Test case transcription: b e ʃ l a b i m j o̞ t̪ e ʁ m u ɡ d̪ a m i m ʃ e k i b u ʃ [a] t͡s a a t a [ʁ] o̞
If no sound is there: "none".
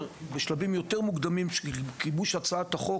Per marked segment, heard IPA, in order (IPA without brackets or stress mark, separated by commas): a, χ